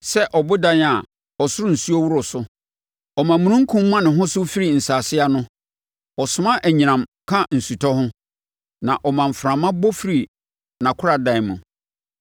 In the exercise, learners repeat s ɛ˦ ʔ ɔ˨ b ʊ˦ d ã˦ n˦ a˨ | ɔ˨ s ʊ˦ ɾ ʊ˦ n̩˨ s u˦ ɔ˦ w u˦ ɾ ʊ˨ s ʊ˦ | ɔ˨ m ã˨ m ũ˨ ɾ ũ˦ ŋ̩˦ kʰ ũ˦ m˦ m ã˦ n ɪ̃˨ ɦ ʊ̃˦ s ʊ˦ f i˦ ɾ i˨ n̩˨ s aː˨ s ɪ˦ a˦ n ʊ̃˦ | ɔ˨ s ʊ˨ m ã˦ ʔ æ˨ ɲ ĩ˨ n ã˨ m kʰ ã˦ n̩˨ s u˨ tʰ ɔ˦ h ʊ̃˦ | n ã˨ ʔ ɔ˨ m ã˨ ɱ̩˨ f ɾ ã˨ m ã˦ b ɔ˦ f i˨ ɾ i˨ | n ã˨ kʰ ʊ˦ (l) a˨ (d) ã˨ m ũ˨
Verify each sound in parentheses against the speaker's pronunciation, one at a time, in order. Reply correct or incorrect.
incorrect: ɾ, correct

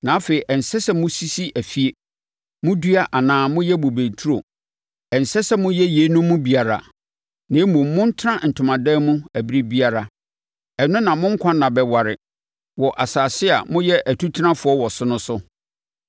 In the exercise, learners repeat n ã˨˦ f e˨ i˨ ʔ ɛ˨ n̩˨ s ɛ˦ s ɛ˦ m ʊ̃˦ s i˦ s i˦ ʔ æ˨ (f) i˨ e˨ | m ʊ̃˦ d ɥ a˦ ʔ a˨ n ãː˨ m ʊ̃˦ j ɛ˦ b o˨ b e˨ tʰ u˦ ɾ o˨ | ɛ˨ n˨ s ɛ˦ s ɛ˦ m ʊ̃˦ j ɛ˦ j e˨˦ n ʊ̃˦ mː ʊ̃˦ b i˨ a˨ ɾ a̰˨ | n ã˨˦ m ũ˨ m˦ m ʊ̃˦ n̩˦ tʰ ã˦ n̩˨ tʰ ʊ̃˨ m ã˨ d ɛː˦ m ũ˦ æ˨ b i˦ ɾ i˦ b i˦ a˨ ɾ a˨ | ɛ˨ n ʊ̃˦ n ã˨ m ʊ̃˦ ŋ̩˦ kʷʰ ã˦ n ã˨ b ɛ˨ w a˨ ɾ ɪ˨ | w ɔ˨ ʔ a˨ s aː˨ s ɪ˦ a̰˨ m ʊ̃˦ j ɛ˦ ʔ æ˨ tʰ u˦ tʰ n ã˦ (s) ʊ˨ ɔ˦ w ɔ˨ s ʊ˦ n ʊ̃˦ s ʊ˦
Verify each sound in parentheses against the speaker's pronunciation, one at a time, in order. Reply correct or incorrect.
correct, incorrect: f

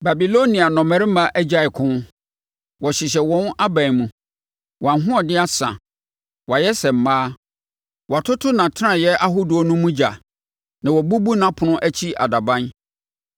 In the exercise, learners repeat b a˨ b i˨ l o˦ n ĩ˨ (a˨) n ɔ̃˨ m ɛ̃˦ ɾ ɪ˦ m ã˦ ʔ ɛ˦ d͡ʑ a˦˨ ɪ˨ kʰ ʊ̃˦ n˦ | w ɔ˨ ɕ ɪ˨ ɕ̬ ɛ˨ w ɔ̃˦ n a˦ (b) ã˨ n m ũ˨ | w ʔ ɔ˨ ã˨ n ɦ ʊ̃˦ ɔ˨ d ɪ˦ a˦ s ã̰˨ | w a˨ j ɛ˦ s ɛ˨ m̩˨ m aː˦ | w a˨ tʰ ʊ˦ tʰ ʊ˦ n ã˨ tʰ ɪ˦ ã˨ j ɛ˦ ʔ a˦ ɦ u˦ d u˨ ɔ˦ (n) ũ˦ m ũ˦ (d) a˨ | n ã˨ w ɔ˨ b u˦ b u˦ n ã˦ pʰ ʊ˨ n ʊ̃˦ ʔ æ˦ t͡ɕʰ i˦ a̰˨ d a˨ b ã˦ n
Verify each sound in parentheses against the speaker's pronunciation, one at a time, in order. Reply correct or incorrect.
correct, correct, correct, incorrect: d͡ʑ

